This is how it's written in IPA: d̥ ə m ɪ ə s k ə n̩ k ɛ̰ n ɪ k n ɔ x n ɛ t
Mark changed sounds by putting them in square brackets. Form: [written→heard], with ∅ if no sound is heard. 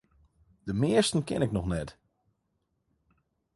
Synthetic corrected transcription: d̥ ə m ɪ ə s [k→t] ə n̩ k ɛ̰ n ɪ k n ɔ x n ɛ t